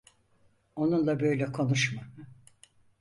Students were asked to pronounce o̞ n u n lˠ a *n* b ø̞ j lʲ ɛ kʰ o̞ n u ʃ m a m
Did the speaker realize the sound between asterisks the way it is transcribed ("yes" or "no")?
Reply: no